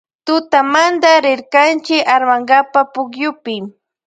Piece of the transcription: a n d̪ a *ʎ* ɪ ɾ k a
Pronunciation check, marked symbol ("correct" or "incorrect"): incorrect